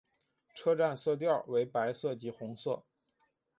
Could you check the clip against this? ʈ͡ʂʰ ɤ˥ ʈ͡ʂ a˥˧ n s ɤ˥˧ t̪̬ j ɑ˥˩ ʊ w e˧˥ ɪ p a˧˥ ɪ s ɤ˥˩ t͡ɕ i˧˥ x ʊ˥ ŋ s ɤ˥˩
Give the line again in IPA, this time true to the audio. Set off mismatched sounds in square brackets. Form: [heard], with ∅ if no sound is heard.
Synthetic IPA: ʈ͡ʂʰ ɤ˥ ʈ͡ʂ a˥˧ n s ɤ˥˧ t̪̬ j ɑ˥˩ ʊ w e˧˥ ɪ p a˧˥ ɪ s ɤ˥˩ t͡ɕ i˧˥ x [ʊ˧˥] ŋ s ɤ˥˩